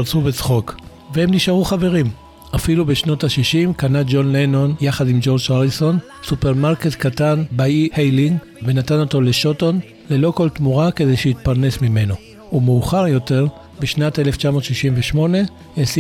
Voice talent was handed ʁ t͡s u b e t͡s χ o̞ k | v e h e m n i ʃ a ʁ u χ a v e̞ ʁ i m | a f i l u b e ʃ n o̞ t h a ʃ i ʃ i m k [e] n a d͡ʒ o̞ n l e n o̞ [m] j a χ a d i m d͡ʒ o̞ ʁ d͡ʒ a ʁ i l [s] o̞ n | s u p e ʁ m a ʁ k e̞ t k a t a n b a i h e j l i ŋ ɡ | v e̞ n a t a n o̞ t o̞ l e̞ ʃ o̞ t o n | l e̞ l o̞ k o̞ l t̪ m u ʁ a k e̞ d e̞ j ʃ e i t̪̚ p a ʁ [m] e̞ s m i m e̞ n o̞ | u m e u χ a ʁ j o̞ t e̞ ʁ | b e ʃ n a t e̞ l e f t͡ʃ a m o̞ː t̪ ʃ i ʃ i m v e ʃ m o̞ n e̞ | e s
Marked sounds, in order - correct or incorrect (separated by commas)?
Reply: incorrect, incorrect, correct, incorrect